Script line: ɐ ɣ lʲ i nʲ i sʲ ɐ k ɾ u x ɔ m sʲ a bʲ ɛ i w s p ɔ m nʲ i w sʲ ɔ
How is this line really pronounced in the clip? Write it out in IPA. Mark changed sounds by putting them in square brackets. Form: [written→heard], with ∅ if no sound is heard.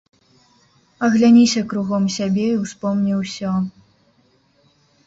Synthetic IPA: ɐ ɣ lʲ [i→a] nʲ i sʲ ɐ k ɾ u [x→ɣ] ɔ m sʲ a bʲ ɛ i w s p ɔ m nʲ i w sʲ ɔ